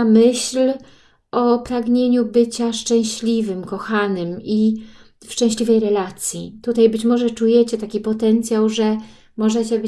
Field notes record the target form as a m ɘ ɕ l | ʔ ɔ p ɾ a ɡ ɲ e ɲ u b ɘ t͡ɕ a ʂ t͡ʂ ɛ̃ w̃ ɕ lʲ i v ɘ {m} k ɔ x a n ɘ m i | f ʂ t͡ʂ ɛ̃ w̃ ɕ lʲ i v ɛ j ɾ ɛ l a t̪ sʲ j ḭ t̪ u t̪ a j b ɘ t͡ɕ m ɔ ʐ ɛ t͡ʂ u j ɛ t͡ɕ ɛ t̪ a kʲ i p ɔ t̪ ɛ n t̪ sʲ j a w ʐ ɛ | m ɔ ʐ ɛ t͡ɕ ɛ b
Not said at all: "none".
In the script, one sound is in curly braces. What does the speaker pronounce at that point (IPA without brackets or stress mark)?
m